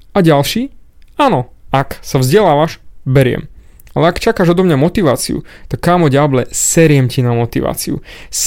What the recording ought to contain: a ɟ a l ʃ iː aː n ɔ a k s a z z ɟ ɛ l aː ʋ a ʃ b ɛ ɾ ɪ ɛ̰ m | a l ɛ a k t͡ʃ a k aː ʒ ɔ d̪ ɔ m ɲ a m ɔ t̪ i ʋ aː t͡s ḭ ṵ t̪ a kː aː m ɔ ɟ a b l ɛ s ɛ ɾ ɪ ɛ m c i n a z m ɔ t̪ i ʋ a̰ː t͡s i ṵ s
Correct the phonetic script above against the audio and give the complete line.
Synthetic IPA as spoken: a ɟ a l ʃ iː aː n ɔ a k s a v z ɟ ɛ l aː ʋ a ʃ b ɛ ɾ ɪ ɛ̰ m | a l ɛ a k t͡ʃ a k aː ʒ ɔ d̪ ɔ m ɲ a m ɔ t̪ i ʋ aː t͡s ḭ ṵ t̪ a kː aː m ɔ ɟ a b l ɛ s ɛ ɾ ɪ ɛ m c i n a m ɔ t̪ i ʋ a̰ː t͡s i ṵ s